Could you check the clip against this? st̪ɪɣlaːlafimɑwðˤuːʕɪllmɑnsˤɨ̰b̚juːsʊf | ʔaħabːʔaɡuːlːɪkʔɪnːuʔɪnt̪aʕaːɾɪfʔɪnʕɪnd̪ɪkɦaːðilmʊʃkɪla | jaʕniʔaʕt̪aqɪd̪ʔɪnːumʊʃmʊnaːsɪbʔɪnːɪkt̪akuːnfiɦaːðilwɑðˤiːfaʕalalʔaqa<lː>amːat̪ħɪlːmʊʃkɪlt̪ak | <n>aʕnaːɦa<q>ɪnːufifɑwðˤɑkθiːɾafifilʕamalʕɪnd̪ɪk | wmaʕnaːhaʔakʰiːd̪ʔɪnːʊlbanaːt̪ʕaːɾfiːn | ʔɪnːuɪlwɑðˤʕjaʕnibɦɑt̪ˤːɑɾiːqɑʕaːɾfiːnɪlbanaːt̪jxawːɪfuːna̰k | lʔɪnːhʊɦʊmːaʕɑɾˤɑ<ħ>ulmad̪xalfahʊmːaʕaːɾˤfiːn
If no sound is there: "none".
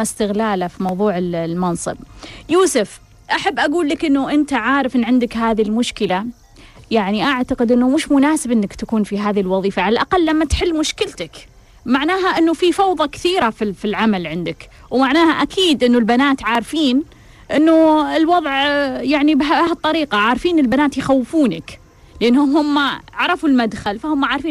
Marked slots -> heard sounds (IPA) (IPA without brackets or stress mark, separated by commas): lː, m, ʔ, f